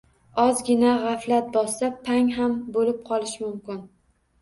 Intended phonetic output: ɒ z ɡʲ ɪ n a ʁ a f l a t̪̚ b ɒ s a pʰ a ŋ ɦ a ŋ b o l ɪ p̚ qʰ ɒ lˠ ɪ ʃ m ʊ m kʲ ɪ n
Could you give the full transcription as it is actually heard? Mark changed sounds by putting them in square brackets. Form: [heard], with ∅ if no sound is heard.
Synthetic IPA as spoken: ɒ z ɡʲ ɪ n a ʁ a f l a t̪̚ b ɒ s a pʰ a ŋ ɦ a [m] b o l ɪ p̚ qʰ ɒ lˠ ɪ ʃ m ʊ m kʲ ɪ n